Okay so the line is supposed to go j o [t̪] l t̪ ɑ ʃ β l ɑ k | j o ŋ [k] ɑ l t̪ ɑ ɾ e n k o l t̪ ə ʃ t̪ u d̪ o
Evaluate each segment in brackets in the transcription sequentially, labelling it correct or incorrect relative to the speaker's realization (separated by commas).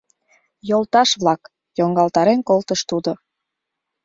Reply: incorrect, incorrect